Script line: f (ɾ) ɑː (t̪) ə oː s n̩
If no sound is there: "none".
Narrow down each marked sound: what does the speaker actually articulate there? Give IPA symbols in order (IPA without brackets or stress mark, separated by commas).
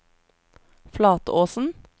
l, t̪